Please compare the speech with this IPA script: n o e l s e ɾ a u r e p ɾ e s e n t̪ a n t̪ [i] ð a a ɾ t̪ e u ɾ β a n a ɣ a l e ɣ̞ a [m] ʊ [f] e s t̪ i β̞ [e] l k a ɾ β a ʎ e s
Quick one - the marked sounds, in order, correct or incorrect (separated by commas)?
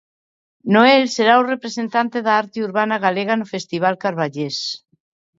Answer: incorrect, incorrect, correct, incorrect